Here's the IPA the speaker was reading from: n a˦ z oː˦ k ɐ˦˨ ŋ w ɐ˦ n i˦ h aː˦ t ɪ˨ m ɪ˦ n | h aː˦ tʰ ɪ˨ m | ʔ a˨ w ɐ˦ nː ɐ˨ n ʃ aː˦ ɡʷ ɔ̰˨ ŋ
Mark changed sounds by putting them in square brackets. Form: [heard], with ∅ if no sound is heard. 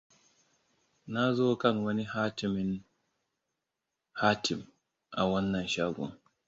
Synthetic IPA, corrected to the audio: n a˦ z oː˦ k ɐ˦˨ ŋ w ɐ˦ n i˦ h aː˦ t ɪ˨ m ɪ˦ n | h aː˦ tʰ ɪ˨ m | ʔ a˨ w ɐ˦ nː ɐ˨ n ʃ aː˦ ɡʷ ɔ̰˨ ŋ